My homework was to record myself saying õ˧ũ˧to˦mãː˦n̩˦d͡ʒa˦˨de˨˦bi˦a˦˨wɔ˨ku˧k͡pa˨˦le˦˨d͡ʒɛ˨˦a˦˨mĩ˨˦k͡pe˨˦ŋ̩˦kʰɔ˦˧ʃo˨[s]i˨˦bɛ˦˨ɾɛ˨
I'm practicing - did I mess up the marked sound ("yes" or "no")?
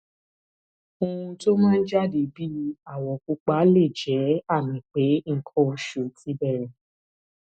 yes